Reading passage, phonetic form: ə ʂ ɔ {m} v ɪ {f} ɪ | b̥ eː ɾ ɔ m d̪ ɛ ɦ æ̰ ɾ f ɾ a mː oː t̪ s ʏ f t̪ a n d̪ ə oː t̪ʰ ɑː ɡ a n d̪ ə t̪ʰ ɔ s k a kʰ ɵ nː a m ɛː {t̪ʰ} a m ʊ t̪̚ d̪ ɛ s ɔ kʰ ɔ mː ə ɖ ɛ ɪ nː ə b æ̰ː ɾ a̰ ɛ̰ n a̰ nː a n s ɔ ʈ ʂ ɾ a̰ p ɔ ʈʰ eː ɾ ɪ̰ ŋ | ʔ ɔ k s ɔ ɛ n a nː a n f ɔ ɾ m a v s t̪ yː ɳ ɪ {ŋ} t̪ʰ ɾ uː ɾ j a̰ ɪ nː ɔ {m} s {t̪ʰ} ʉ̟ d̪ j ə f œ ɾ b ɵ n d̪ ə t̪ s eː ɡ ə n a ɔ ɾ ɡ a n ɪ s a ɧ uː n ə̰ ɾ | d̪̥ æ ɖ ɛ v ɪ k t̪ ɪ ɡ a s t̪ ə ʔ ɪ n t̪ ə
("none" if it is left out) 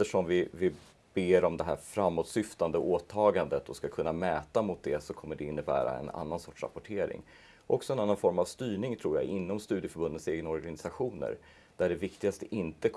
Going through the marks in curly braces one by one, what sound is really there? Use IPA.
m, v, t̪, ŋ, m, t̪

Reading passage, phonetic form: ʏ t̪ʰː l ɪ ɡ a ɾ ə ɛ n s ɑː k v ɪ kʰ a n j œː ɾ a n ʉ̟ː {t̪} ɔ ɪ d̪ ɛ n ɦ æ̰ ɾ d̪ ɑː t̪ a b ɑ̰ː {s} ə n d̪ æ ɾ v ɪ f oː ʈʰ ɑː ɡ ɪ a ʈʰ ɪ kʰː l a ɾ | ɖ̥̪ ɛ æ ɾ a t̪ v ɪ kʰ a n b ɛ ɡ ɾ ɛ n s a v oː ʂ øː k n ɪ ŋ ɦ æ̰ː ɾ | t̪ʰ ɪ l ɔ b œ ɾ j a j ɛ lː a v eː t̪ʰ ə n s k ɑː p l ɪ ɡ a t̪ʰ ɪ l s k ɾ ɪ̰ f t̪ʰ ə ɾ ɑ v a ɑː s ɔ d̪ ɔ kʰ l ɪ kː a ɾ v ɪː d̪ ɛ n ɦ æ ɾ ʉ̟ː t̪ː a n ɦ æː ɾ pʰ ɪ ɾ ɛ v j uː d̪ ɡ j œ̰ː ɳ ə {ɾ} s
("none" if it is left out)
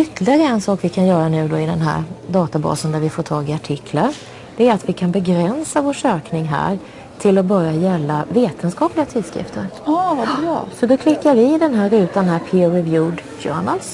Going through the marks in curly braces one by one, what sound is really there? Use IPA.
d̪, s, l

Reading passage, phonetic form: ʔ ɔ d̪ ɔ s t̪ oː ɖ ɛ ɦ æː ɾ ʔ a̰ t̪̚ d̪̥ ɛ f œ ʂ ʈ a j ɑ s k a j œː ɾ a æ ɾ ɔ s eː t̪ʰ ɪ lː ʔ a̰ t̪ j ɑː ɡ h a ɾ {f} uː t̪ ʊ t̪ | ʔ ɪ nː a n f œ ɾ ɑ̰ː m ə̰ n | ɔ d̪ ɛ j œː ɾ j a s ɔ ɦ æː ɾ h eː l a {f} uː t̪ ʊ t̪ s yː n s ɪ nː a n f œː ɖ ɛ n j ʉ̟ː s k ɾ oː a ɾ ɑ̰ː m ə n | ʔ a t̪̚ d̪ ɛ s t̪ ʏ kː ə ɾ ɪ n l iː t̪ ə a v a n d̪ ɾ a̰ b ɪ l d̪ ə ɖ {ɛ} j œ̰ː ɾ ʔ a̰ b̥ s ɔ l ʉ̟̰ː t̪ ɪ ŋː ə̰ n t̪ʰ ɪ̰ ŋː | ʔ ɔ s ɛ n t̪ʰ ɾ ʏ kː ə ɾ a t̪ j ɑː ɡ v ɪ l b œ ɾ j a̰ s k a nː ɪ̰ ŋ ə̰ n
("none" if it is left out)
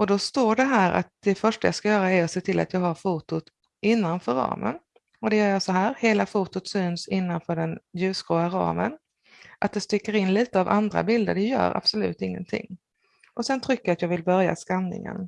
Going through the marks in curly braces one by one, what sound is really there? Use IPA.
f, f, ɛ

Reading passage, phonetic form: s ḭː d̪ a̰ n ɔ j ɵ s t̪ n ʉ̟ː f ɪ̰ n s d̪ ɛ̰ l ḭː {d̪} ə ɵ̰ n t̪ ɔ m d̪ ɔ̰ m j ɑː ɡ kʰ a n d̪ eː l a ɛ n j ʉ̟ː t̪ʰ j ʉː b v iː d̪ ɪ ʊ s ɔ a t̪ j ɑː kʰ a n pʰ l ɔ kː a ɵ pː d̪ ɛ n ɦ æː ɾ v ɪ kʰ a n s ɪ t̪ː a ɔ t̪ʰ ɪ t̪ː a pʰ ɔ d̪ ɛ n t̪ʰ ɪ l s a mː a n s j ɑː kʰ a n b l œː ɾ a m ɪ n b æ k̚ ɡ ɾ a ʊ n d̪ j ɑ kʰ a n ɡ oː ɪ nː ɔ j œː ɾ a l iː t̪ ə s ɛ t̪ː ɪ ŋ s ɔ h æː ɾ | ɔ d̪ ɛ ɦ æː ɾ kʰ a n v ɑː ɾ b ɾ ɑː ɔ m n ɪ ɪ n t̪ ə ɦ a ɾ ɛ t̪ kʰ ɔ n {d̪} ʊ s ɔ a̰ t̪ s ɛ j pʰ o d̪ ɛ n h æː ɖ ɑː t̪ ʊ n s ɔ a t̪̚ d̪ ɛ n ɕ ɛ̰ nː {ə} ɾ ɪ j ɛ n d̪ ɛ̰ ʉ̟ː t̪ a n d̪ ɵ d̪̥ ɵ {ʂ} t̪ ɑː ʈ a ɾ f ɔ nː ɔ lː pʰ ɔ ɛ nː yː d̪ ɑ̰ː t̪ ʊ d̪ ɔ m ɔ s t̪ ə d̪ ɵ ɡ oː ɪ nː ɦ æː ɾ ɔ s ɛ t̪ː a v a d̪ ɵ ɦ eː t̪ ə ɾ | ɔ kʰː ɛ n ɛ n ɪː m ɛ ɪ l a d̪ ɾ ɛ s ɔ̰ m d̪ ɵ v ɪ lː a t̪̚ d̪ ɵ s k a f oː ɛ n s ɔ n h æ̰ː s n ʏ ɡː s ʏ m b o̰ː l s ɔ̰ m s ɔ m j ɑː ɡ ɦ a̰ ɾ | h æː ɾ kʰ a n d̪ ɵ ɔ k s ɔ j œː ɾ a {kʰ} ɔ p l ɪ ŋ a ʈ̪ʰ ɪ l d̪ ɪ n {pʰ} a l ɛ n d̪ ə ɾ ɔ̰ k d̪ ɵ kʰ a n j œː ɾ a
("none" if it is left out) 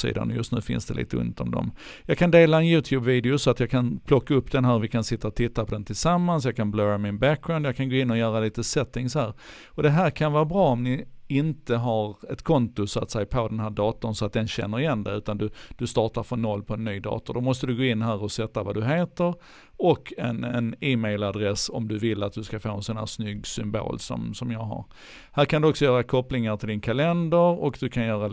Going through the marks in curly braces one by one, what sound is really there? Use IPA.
t̪, t̪, ə, s, kʰ, kʰ

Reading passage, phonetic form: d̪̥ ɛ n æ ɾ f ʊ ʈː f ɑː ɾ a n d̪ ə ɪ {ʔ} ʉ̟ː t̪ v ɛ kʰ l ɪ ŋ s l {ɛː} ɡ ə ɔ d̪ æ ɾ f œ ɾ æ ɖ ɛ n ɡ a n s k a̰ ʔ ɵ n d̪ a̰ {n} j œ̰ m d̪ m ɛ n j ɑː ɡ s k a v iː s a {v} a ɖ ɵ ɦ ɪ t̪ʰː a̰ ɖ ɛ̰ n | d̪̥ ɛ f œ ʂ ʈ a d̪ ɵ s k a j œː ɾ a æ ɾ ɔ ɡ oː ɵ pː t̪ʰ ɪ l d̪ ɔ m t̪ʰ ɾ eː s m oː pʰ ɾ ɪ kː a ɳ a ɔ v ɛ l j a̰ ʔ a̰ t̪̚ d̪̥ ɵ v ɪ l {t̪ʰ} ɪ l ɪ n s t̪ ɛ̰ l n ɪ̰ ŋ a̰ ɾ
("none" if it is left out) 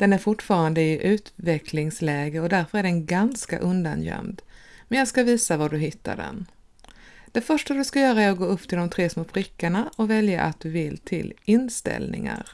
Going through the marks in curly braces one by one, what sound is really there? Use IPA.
ʔ, ɛː, n, v, t̪ʰ

